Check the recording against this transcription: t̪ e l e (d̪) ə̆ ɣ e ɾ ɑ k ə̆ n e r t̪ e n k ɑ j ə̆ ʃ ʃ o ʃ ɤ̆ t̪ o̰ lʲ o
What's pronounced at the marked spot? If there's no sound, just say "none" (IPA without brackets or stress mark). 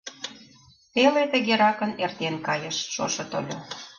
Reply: t̪